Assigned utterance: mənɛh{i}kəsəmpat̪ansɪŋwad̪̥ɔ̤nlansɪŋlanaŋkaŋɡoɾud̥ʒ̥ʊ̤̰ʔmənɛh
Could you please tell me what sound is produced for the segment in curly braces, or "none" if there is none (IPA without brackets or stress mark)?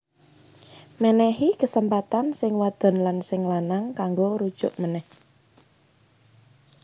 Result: i